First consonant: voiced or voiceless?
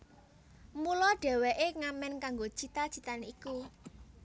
voiced